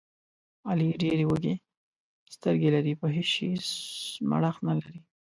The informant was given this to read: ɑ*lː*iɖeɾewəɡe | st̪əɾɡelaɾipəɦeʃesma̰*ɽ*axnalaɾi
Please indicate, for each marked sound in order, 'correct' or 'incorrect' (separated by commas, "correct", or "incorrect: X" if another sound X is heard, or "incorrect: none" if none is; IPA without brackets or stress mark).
incorrect: l, correct